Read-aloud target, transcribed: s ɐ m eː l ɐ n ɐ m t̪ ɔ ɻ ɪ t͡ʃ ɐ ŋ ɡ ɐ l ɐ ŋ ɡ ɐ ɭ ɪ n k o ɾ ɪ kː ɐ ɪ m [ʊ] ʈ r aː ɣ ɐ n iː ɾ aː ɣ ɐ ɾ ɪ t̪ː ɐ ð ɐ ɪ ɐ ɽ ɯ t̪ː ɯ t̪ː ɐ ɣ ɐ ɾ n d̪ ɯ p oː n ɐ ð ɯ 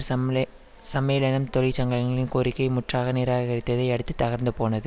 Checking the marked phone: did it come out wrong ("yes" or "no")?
no